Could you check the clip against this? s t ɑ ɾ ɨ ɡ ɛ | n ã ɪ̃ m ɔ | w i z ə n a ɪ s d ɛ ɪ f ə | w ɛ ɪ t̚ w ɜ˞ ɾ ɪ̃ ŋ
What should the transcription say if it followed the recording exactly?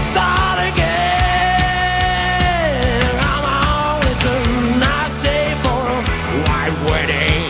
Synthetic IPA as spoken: s t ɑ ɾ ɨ ɡ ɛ | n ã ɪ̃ m ɔ | w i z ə n a ɪ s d e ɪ f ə | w a ɪ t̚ w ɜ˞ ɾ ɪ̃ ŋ